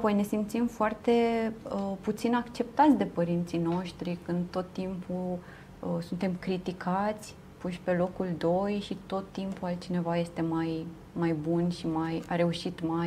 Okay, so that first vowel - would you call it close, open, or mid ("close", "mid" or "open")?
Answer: open